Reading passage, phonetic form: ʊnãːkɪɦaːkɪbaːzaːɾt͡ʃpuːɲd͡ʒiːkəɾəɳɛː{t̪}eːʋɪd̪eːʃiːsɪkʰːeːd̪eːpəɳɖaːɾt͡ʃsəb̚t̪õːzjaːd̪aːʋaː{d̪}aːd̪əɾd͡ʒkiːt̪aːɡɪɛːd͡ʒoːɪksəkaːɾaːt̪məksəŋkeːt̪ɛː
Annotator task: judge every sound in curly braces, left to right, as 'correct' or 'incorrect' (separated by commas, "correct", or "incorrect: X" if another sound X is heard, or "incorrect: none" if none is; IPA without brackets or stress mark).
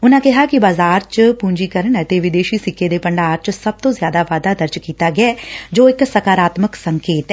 correct, correct